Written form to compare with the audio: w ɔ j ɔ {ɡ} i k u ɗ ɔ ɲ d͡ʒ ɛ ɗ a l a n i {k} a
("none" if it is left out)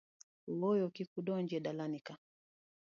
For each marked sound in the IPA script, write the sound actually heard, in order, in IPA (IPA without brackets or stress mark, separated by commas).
k, k